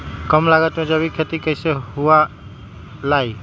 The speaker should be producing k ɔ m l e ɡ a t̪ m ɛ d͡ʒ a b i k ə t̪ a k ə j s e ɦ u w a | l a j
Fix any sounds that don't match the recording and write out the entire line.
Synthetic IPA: k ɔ m l a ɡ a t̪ m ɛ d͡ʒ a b i kʰ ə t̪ i k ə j s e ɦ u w a | l a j

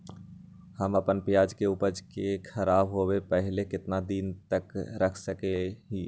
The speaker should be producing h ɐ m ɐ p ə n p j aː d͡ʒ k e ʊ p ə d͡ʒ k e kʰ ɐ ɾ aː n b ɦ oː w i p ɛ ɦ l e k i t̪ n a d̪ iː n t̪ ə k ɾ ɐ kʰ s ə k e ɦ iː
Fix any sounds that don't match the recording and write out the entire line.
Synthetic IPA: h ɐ m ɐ p ə n p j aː d͡ʒ k e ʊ p ə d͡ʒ k e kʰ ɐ ɾ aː b ɦ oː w e p ɛ ɦ l e k ɪ t̪ n a d̪ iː n t̪ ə k ɾ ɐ kʰ s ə k e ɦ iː

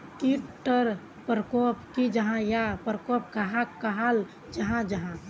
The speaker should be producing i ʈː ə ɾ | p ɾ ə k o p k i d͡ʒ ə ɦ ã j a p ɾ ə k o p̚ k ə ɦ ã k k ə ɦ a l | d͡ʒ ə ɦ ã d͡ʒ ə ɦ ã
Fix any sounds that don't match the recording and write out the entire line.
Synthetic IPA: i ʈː ə ɾ | p ɾ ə k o p k i d͡ʒ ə ɦ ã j a p ɾ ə k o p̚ k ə ɦ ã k k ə ɦ a l | d͡ʒ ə ɦ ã d͡ʒ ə ɦ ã

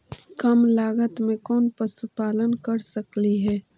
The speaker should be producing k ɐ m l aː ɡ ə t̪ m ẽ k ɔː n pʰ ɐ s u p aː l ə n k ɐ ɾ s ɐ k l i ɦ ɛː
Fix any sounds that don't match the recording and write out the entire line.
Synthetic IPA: k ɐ m l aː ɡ ə t̪ m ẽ k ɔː n p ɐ s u p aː l ə n k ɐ ɾ s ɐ k l i ɦ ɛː

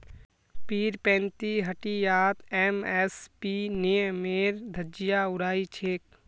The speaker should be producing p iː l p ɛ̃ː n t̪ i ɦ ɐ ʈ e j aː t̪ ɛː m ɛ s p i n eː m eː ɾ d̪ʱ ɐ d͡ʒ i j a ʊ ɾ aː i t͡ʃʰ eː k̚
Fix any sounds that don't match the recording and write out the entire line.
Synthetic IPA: p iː ɾ p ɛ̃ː n t̪ i ɦ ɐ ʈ i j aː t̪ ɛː m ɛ s p i n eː m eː ɾ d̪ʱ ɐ d͡ʒ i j a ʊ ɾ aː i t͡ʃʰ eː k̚

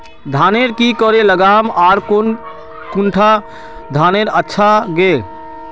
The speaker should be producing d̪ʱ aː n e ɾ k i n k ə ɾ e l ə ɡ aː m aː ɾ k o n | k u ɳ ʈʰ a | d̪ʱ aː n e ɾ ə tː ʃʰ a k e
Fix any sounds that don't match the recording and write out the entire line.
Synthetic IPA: d̪ʱ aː n e ɾ k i k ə ɾ e l ə ɡ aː m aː ɾ k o n | k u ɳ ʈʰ a | d̪ʱ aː n e ɾ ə tː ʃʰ a ɡ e

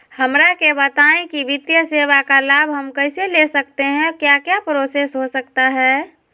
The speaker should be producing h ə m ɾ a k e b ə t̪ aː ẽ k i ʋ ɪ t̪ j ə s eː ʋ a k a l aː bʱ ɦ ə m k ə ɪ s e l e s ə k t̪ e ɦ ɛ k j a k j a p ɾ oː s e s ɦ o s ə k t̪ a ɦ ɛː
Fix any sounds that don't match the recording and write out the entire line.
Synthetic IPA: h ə m ɾ a k e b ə t̪ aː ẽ k i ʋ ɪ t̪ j ə s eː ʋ a k a l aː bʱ ɦ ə m k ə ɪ s e l e s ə k t̪ e ɦ ɛ̃ k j a k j a p ɾ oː s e s ɦ o s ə k t̪ a ɦ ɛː

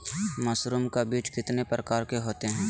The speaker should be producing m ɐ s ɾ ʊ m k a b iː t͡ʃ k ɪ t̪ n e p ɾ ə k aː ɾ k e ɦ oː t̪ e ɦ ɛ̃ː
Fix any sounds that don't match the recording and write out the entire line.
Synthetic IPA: m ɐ s ɾ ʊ m k a b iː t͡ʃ k ɪ t̪ n e p ɾ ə k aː ɾ k e ɦ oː t̪ e ɦ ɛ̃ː

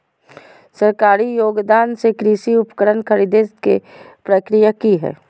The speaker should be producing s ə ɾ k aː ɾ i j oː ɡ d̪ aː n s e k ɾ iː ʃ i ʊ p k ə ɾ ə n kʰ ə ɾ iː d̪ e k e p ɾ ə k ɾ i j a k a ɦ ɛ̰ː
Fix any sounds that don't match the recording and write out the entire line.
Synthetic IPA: s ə ɾ k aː ɾ i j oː ɡ d̪ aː n s e k ɾ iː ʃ i ʊ p k ə ɾ ə n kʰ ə ɾ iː d̪ e k e p ɾ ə k ɾ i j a k i ɦ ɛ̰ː

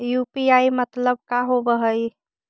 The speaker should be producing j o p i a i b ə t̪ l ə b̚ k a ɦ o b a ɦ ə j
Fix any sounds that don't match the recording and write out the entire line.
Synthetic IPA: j u p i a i m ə t̪ l ə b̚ k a ɦ o b ə ɦ ə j

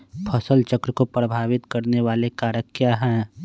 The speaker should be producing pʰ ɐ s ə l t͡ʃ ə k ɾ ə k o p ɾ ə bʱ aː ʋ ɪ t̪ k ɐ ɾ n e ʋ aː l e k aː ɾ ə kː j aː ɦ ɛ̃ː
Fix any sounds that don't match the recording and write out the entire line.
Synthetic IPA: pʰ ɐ s ə l t͡ʃ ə k ɾ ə k o p ɾ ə bʱ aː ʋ ɪ t̪ k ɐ ɾ n e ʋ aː l e k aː ɾ ə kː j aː ɦ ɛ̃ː

